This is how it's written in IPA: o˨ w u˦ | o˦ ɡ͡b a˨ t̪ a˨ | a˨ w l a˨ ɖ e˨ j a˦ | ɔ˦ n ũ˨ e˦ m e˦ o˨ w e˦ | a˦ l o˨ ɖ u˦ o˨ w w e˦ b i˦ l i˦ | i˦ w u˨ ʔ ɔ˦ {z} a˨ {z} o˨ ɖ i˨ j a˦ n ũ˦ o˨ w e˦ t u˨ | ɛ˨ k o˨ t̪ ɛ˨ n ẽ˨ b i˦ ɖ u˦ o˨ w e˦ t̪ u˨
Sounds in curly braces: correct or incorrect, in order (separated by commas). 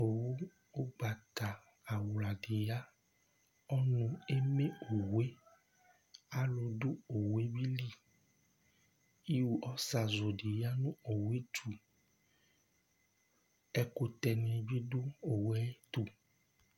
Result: incorrect, correct